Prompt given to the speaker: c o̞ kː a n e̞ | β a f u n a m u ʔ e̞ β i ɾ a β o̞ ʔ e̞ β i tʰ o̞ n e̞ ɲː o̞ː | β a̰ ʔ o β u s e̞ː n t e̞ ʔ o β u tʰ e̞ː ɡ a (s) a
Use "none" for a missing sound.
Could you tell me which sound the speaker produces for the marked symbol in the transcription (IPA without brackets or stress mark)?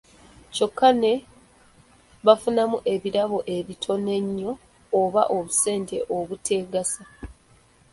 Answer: s